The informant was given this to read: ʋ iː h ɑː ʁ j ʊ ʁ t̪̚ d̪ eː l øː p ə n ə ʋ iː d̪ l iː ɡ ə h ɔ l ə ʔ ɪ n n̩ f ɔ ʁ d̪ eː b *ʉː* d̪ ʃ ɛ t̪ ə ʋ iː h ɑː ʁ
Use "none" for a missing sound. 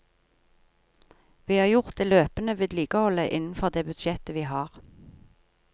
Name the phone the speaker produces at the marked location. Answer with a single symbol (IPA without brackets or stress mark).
ʉ